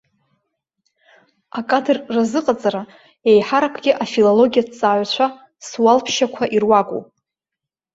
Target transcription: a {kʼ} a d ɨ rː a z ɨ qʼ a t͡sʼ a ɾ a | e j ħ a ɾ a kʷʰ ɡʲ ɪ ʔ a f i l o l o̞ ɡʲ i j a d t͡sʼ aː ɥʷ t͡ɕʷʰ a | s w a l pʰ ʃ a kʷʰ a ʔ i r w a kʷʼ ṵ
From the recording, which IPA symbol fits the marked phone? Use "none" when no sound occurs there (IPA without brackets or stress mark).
kʼ